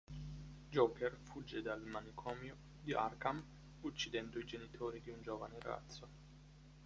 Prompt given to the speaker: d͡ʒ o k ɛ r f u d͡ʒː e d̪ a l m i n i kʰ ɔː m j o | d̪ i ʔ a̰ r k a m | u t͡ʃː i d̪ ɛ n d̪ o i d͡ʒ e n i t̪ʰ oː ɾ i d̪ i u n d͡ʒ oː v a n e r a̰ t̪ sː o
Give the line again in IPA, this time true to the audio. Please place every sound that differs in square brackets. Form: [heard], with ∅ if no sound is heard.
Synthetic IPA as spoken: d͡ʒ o k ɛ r f u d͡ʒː e d̪ a l m [a] n i kʰ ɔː m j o | d̪ i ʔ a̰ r k a m | u t͡ʃː i d̪ ɛ n d̪ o i d͡ʒ e n i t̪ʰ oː ɾ i d̪ i u n d͡ʒ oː v a n e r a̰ t̪ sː o